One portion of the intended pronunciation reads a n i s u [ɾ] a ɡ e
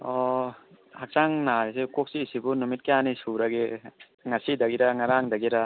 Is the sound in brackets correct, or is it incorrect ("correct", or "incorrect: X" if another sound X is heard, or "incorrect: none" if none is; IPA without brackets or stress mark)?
correct